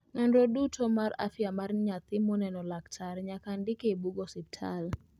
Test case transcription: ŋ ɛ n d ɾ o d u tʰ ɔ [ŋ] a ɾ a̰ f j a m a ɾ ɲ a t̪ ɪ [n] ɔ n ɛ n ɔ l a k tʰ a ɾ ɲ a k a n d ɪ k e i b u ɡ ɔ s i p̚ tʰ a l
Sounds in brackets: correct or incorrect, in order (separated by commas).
incorrect, incorrect